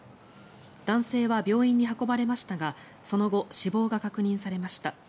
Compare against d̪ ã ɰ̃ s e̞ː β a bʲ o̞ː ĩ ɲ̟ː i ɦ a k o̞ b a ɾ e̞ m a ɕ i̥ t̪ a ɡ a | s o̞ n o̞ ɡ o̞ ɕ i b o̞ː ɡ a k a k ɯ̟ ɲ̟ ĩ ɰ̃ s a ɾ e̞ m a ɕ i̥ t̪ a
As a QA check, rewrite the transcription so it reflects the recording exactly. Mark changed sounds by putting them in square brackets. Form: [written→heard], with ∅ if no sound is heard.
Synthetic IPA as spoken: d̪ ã ɰ̃ s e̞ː β a bʲ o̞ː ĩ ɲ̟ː i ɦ a k o̞ b a ɾ e̞ m a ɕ i̥ t̪ a ɡ a | s o̞ n o̞ ɡ o̞ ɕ i b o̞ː ɡ a k a k ɯ̟ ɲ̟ ĩ ɰ̃ s a ɾ e̞ m a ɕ i̥ t̪ a

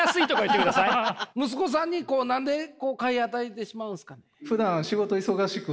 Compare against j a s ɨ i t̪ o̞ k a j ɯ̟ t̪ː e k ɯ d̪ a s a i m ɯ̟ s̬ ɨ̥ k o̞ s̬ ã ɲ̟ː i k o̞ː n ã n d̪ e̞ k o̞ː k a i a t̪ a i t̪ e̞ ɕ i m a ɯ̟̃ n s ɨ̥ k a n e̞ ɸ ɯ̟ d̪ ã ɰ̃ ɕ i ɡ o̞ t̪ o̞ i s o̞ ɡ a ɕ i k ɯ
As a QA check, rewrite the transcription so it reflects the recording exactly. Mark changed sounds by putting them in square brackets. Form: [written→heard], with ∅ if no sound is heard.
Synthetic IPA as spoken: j a s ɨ i t̪ o̞ k a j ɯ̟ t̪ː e k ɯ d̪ a s a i m ɯ̟ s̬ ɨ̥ k o̞ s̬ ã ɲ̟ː i k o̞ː n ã n d̪ e̞ k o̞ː k a i a t̪ a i t̪ e̞ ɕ i m a ɯ̟̃ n s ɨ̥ k a n e̞ ɸ ɯ̟ d̪ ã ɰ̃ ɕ i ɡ o̞ t̪ o̞ i s o̞ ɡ a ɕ i k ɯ

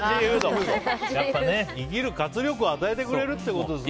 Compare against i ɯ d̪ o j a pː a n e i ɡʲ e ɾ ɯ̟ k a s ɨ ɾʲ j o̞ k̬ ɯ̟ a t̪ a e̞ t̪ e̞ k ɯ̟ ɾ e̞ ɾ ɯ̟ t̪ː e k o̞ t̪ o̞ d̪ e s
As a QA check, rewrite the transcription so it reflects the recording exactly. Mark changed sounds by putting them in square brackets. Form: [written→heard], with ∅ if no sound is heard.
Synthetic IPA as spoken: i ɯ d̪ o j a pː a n e i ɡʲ [e→i] ɾ ɯ̟ k a [s→t͡s] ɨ ɾʲ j o̞ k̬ ɯ̟ a t̪ a e̞ t̪ e̞ k ɯ̟ ɾ e̞ ɾ ɯ̟ t̪ː e k o̞ t̪ o̞ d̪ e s

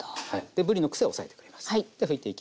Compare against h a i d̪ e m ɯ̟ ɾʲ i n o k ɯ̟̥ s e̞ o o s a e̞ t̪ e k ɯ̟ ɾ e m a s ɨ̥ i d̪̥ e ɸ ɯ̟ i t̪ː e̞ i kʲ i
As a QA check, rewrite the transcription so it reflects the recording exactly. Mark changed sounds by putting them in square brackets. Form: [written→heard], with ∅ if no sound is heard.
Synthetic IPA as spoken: h a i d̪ e [m→b] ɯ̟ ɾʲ i n o k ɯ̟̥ s e̞ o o s a e̞ t̪ e k ɯ̟ ɾ e m a s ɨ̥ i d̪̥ e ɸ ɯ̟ i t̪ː e̞ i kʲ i

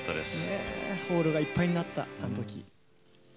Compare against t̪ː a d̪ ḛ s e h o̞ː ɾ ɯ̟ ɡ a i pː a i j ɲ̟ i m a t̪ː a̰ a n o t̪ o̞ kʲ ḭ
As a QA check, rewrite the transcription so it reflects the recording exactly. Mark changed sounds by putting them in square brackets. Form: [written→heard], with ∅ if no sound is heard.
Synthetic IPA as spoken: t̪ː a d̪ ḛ s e h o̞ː ɾ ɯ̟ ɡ a i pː a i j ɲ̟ i [m→n] a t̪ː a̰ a n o t̪ o̞ kʲ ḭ

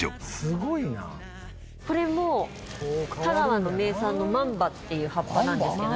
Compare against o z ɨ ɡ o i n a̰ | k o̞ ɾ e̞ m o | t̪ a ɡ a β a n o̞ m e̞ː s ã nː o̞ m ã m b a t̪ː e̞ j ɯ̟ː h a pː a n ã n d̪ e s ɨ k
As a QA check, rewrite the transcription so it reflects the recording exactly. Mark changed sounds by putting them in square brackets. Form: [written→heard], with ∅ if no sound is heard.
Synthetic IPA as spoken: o [z→s] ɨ ɡ o i n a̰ | k o̞ ɾ e̞ m o | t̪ a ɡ a β a n o̞ m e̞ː s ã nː o̞ m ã m b a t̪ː e̞ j ɯ̟ː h a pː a n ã n d̪ e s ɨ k

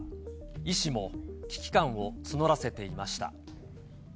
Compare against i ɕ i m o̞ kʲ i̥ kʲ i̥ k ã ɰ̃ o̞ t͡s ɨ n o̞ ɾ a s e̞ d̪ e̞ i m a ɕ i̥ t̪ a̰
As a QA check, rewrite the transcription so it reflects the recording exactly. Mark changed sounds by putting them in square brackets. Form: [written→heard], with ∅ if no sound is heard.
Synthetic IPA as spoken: i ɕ i m o̞ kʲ i̥ kʲ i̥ k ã ɰ̃ o̞ t͡s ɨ n o̞ ɾ a s e̞ [d̪→t̪] e̞ i m a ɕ i̥ t̪ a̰

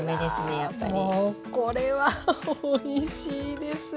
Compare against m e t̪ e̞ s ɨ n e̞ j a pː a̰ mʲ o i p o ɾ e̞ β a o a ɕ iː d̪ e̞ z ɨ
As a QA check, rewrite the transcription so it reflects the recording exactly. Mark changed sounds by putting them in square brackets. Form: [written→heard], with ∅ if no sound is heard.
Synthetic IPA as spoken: m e [t̪→d̪] e̞ s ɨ n e̞ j a pː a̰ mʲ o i [p→k] o ɾ e̞ β a o [a→i] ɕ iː d̪ e̞ [z→s] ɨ

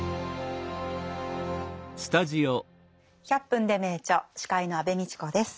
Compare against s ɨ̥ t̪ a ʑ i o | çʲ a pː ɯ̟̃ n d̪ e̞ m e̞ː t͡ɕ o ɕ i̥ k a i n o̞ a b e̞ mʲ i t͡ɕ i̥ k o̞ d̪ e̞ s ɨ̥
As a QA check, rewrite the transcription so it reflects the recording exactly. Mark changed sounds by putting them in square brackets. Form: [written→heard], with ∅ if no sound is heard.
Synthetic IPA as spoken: s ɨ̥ t̪ a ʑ i o | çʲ a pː ɯ̟̃ n d̪ e̞ m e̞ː t͡ɕ o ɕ i̥ k a i n o̞ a b e̞ mʲ i t͡ɕ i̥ k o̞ d̪ e̞ s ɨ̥

